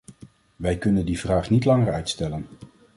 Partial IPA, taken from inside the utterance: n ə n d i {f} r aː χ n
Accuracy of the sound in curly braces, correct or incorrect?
incorrect